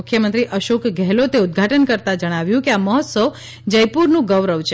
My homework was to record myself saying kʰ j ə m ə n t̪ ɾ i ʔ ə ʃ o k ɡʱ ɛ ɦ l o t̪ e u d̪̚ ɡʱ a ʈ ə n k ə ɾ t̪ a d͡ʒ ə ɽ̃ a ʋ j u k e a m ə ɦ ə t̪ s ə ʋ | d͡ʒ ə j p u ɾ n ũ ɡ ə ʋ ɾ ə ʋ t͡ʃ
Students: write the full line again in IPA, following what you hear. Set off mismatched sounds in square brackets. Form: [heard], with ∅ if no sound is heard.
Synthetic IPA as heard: kʰ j ə m ə n t̪ ɾ i ʔ ə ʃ o k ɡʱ ɛ ɦ l o t̪ e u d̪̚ ɡʱ a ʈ ə n k ə ɾ t̪ a d͡ʒ ə ɽ̃ a ʋ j [ũ] k e a m ə ɦ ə t̪ s ə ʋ | d͡ʒ ə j p u ɾ n ũ ɡ ə ʋ ɾ ə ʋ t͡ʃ